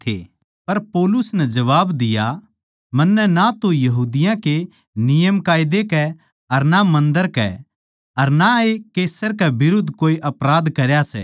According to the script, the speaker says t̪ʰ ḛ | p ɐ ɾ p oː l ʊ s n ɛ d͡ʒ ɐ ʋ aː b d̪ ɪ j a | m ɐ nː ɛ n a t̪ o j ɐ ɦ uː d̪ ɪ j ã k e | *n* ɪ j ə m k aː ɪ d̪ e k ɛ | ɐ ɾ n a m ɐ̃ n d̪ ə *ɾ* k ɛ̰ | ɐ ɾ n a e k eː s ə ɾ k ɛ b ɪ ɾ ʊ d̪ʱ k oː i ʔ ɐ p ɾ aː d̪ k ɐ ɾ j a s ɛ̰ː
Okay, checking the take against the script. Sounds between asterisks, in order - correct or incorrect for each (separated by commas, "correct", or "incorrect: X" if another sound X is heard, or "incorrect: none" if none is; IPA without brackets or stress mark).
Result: correct, correct